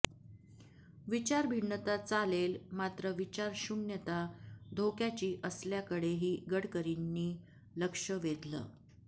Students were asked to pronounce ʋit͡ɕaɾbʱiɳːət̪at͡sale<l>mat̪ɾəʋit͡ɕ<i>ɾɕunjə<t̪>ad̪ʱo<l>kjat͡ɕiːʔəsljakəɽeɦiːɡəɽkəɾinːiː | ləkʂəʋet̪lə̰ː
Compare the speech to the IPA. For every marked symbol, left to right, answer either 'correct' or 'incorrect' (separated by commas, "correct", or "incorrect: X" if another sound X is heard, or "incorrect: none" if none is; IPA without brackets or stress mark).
correct, incorrect: a, correct, incorrect: none